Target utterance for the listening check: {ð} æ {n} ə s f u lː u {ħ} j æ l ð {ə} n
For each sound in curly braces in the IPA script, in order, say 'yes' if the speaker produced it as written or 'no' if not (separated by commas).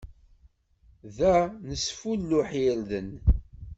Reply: yes, yes, yes, yes